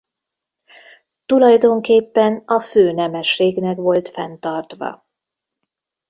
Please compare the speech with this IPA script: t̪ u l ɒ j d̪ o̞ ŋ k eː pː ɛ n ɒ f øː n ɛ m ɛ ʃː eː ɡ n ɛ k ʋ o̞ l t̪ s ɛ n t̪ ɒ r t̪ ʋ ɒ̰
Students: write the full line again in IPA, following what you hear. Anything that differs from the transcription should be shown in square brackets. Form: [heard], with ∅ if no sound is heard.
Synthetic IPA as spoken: t̪ u l ɒ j d̪ o̞ ŋ k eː pː ɛ n ɒ f øː n ɛ m ɛ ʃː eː ɡ n ɛ k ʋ o̞ l t̪ [f] ɛ n t̪ ɒ r t̪ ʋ ɒ̰